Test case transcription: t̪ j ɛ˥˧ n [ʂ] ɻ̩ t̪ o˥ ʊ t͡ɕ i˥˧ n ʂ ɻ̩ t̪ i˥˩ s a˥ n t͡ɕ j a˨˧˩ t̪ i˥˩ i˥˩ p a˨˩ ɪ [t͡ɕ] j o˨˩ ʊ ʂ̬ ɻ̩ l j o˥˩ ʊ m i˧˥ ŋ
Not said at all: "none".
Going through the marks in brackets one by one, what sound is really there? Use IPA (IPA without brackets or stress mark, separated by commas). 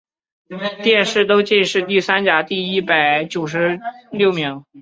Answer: ʂ, t͡ɕ